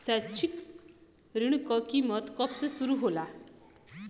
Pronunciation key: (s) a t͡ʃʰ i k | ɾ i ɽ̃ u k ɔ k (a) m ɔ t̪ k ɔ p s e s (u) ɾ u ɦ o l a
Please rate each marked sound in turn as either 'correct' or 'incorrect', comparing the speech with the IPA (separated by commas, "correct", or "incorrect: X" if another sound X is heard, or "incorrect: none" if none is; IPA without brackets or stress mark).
correct, incorrect: i, correct